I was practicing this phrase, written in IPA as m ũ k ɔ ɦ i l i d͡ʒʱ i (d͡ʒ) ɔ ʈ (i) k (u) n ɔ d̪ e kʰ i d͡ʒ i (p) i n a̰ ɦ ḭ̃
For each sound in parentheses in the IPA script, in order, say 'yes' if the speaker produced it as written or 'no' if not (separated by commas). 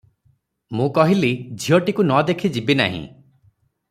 no, yes, yes, no